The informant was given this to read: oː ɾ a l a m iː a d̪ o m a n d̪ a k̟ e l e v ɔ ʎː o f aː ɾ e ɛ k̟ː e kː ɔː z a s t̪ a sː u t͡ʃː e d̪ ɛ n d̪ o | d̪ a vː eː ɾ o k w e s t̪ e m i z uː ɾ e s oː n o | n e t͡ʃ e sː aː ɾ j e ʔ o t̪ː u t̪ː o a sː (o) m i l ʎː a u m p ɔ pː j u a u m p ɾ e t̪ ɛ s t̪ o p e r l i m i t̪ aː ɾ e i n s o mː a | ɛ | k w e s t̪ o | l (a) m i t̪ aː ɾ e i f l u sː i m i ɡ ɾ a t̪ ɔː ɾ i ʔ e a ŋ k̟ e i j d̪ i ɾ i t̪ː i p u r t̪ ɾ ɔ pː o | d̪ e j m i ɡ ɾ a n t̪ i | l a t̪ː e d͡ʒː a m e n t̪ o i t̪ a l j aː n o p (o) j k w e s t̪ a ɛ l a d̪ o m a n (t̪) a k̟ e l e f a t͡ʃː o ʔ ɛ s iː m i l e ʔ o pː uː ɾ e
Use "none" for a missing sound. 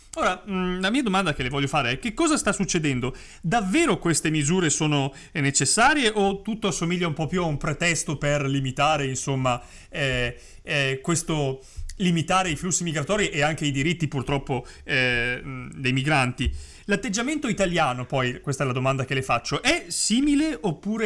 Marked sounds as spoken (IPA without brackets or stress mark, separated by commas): o, i, ɔ, d̪